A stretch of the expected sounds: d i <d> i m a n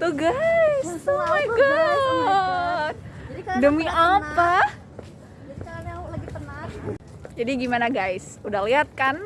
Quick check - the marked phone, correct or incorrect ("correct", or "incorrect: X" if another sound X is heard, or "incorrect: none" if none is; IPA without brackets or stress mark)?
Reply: incorrect: ɡ